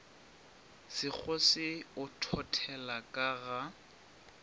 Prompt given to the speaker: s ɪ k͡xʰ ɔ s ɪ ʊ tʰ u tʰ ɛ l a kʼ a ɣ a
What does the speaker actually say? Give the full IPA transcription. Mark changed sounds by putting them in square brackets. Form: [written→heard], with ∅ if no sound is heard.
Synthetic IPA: s ɪ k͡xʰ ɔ s ɪ ʊ tʰ [u→ɔ] tʰ ɛ l a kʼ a ɣ a